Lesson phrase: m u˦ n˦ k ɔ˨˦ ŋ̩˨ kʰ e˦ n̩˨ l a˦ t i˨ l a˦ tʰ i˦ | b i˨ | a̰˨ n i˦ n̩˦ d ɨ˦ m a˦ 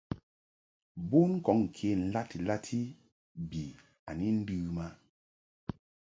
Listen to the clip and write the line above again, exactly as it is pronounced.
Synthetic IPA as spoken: b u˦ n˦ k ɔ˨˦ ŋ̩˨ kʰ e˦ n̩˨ l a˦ t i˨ l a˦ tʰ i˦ | b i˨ | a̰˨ n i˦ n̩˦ d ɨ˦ m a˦